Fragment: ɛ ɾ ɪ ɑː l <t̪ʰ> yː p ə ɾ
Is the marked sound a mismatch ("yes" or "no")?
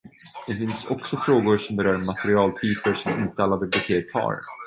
no